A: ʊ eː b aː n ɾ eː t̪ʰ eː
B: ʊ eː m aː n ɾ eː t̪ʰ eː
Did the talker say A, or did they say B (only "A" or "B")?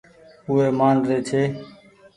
B